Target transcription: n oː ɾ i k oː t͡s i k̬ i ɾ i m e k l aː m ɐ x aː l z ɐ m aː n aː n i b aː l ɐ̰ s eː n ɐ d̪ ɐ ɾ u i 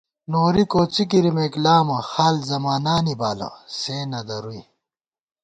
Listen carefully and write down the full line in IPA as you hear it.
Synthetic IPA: n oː ɾ i k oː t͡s i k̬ i ɾ i m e k l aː m ɐ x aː l z ɐ m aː n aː n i b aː l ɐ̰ s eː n ɐ d̪ ɐ ɾ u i